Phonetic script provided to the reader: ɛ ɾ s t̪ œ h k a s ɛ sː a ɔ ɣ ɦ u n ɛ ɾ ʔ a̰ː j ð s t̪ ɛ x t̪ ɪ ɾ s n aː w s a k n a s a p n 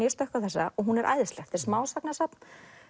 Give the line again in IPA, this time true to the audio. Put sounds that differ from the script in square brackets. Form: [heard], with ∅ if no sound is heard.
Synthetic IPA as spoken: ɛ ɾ s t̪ œ h k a [θ] ɛ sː a ɔ ɣ ɦ u n ɛ ɾ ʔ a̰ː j ð s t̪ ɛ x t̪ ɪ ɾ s [m] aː w s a k n a s a p n